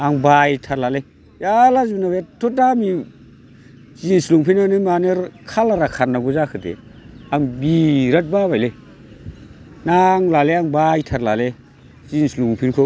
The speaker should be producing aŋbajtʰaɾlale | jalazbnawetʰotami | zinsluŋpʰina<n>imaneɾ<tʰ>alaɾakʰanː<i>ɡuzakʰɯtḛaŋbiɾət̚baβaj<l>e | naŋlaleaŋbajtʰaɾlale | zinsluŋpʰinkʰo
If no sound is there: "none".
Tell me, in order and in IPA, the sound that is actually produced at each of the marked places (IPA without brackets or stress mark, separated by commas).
n, kʰ, a, l